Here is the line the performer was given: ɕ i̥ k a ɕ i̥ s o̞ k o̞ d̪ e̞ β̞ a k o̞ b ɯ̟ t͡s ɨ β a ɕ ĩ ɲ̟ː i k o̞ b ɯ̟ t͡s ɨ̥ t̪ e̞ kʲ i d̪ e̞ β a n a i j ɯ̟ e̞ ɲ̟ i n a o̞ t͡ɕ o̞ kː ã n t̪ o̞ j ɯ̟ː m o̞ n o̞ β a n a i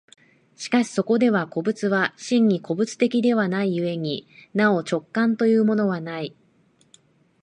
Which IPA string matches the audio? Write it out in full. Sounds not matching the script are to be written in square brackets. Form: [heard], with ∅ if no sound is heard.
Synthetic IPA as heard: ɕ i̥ k a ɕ i̥ s o̞ k o̞ d̪ e̞ β̞ a k o̞ b ɯ̟ t͡s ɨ β a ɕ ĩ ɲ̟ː i k o̞ b ɯ̟ t͡s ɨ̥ t̪ e̞ kʲ i d̪ e̞ β a n a i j ɯ̟ e̞ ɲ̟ i n a o̞ t͡ɕ o̞ kː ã n t̪ o̞ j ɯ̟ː m o̞ n o̞ β a n a i